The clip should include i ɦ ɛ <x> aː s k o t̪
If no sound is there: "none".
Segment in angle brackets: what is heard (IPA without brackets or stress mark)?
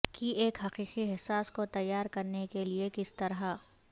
s